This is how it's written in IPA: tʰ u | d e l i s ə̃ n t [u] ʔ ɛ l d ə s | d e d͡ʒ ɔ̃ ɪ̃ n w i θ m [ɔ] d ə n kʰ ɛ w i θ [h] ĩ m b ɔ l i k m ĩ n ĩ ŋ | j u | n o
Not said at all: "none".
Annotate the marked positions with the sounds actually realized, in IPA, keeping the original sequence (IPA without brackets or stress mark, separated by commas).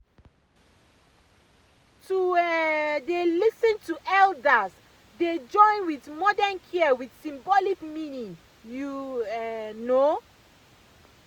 u, ɔ, s